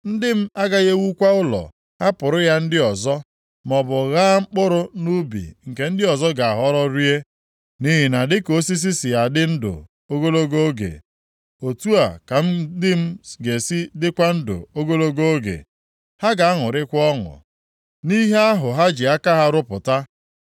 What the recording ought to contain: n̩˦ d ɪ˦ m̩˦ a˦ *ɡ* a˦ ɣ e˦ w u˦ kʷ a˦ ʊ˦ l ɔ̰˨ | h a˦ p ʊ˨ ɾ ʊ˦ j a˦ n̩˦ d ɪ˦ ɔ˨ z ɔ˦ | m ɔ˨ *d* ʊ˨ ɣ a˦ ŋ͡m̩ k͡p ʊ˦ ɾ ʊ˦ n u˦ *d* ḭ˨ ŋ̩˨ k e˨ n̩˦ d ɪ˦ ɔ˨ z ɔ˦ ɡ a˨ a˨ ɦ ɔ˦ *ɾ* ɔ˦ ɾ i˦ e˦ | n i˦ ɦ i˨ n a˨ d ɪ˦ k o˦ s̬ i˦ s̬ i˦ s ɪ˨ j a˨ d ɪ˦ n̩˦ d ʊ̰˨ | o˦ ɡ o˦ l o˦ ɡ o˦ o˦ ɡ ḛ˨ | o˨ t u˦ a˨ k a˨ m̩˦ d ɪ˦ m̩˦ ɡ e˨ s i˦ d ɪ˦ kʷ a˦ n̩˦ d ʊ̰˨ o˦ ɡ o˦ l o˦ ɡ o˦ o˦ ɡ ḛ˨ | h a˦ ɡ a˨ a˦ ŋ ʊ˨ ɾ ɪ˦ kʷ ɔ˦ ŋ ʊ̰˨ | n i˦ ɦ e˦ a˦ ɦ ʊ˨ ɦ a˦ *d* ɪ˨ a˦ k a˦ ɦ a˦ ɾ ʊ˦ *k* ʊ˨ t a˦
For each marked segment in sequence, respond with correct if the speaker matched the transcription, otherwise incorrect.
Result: correct, incorrect, incorrect, correct, incorrect, incorrect

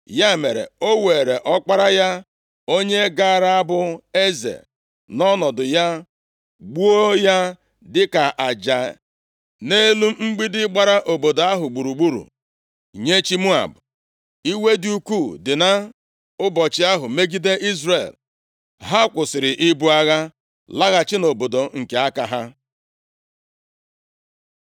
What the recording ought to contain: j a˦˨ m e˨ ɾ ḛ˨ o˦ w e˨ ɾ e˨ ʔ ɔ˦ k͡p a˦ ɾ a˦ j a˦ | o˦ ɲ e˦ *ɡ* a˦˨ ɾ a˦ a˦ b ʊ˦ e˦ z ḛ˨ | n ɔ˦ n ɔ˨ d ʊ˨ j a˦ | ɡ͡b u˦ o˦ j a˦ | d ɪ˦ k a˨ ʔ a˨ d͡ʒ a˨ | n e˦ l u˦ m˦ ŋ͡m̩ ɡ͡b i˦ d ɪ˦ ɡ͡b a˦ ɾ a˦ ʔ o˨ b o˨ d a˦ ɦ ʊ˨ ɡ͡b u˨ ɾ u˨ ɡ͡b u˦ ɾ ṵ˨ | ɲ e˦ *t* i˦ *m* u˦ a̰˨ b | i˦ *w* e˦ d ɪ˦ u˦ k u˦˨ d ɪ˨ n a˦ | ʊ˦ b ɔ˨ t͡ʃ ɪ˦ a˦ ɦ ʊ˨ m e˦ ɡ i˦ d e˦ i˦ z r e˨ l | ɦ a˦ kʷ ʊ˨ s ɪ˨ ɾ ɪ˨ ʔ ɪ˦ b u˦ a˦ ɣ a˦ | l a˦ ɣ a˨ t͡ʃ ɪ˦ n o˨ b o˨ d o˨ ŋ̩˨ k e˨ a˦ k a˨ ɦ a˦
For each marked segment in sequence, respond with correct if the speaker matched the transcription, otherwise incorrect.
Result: correct, incorrect, correct, correct

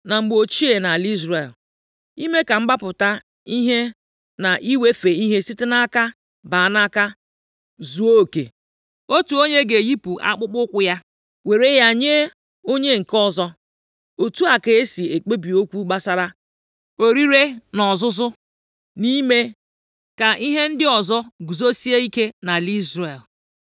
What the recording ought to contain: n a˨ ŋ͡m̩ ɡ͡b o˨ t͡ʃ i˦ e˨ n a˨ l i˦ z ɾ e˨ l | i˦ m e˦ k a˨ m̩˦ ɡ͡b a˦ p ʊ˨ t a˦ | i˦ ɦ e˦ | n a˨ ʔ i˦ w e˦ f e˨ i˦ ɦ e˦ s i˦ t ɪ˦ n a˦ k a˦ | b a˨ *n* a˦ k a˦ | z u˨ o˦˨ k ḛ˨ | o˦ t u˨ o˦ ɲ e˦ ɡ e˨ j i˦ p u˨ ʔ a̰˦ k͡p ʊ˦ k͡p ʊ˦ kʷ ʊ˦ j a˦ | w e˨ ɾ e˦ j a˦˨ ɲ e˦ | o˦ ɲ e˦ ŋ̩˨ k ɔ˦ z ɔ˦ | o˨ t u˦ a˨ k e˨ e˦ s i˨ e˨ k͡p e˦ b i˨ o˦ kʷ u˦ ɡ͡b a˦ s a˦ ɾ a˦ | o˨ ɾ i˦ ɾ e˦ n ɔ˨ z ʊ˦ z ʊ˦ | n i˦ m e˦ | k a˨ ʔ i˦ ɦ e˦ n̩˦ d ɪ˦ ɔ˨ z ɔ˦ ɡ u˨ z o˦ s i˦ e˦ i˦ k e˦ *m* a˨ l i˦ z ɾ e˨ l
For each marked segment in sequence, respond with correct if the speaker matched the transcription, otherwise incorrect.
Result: correct, incorrect

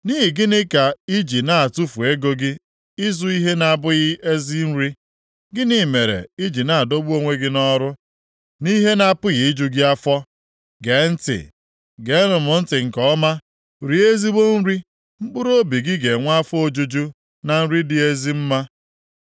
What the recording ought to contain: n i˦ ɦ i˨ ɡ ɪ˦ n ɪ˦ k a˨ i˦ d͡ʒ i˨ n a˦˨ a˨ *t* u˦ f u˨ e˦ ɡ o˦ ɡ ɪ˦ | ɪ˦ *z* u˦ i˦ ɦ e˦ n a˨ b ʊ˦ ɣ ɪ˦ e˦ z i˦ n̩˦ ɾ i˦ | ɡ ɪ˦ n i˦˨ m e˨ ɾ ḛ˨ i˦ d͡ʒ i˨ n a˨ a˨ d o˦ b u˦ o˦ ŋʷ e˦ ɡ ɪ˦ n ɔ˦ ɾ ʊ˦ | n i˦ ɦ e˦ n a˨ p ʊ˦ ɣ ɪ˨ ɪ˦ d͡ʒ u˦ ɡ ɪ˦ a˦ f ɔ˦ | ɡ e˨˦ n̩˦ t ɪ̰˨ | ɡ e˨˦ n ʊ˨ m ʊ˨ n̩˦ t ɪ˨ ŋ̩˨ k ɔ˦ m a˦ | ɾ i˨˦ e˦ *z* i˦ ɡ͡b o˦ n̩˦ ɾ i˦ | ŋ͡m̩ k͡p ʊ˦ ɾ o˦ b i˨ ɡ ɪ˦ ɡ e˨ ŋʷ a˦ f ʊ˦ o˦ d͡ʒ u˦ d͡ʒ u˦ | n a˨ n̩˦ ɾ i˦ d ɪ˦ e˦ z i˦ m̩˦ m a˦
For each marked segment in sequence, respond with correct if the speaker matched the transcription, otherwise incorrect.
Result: correct, correct, correct

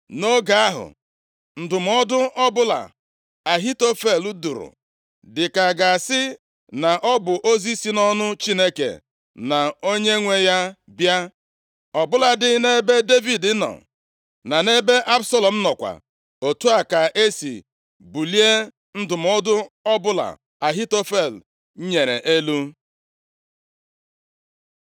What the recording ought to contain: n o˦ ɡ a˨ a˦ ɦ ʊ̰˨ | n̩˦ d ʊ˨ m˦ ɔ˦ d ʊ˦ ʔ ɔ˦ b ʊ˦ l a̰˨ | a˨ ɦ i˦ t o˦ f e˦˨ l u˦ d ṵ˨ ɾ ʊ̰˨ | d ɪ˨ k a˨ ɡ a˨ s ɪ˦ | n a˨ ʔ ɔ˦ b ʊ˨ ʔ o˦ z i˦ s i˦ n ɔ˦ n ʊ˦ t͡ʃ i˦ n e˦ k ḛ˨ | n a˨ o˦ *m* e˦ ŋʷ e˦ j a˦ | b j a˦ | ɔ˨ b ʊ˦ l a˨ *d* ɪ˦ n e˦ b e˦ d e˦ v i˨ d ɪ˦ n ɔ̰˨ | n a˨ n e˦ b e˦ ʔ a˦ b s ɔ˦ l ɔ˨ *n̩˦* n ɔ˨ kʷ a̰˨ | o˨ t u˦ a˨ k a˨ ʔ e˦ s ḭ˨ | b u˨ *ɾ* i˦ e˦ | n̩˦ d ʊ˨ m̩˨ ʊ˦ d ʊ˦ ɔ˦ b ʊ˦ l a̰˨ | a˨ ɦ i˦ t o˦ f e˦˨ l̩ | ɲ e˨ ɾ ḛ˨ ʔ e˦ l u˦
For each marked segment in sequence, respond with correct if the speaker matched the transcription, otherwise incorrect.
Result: incorrect, correct, incorrect, incorrect

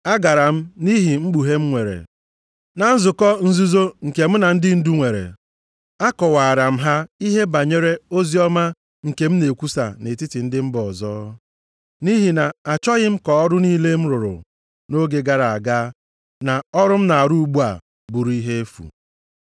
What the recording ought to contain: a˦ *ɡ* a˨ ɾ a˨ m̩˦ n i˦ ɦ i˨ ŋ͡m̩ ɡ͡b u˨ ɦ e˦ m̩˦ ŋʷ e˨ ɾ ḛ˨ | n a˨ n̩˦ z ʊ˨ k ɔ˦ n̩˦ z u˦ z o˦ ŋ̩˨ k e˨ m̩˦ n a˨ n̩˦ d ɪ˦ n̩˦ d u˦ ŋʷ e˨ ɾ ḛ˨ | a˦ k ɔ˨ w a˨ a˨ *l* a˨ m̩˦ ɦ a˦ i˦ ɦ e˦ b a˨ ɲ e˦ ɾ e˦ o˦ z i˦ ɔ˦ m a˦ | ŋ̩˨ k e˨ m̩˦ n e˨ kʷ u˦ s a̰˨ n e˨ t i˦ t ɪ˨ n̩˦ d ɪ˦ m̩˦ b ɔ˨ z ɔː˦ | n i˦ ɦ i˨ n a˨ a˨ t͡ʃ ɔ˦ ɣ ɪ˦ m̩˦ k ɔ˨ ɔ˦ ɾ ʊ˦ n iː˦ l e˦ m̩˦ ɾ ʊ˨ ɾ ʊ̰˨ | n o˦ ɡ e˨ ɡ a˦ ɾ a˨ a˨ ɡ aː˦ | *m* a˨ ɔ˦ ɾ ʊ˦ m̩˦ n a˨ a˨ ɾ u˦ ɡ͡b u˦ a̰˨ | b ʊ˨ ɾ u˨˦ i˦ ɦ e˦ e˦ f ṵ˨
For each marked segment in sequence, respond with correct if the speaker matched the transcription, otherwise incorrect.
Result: correct, incorrect, incorrect

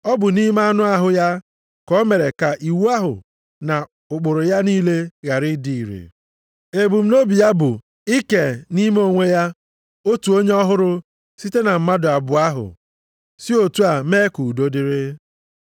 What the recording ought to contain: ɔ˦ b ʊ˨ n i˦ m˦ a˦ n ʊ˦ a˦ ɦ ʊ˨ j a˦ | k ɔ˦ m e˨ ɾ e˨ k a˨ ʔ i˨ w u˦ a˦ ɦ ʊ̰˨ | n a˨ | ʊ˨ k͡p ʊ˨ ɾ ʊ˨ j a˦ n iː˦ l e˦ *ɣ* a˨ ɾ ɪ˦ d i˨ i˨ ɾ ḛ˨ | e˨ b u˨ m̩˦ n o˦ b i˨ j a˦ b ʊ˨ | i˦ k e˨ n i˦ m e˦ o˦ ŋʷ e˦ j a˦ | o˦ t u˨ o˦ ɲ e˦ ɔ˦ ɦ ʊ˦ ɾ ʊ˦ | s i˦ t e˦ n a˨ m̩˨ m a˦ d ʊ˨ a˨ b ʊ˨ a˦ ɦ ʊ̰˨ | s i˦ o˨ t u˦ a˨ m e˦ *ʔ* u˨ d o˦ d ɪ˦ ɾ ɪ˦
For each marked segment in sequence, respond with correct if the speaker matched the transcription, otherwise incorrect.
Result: correct, incorrect

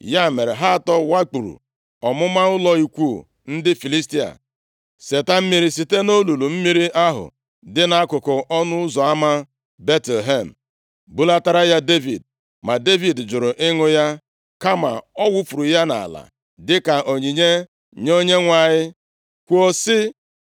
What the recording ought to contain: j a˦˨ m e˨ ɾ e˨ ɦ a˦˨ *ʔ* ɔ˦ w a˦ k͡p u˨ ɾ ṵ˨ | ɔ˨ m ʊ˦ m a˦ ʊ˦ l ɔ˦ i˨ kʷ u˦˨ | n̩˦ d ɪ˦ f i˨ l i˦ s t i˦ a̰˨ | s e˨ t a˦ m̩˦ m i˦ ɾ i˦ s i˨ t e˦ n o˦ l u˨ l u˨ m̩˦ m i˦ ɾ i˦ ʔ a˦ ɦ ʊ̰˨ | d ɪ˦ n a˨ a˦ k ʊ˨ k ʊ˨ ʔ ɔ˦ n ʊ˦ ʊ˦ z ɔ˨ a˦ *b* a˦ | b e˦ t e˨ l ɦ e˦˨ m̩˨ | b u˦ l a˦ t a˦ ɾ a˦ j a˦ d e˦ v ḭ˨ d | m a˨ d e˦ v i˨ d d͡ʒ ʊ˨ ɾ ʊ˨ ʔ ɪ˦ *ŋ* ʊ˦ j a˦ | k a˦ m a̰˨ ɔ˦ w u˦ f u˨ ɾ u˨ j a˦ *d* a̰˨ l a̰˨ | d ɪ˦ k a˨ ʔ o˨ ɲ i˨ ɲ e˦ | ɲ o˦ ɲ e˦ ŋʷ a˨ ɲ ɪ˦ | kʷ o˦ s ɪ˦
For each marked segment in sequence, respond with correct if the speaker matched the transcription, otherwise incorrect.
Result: incorrect, incorrect, correct, incorrect

